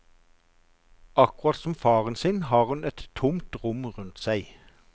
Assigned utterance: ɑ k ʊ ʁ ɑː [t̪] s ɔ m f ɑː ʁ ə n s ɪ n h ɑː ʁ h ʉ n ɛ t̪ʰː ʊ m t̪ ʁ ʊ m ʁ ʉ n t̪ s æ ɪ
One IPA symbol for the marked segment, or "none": t̪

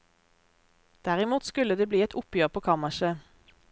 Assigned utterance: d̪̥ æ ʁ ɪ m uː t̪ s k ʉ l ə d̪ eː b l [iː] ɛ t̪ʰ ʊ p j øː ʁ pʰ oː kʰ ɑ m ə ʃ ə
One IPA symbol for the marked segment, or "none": iː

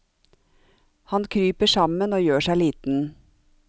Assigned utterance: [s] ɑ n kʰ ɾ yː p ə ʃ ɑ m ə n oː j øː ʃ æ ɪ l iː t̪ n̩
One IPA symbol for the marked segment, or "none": h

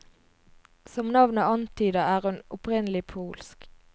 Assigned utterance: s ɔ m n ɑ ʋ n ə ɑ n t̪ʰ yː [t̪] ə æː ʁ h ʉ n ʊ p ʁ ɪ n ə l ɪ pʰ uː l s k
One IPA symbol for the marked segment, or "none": d̪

